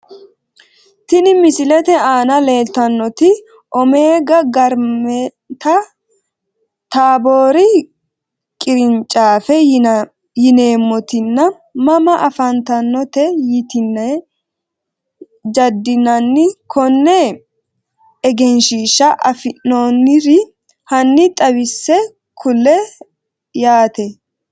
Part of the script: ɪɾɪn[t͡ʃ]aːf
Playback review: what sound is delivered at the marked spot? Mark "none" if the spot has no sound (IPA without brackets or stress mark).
t͡ʃʼ